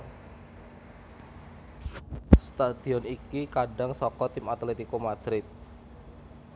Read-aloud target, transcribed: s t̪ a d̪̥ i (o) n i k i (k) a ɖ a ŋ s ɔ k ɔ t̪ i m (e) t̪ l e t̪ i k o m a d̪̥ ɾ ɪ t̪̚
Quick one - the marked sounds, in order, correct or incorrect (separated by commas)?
incorrect, correct, incorrect